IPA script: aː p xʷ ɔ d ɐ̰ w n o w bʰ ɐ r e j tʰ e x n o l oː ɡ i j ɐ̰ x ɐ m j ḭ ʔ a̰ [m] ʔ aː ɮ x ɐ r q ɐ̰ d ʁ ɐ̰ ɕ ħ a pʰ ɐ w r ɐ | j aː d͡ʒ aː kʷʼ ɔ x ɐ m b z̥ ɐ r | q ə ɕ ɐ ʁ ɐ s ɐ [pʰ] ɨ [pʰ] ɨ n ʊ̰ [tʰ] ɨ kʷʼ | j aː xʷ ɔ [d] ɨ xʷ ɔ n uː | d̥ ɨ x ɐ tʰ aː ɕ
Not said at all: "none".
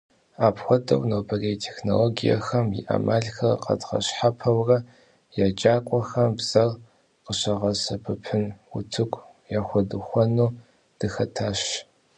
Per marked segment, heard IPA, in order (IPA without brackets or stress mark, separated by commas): m, pʰ, pʰ, tʰ, d